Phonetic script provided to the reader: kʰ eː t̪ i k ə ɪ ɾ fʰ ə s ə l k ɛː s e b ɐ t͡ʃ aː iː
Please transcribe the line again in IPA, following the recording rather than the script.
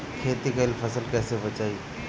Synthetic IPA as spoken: kʰ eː t̪ i k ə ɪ l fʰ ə s ə l k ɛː s e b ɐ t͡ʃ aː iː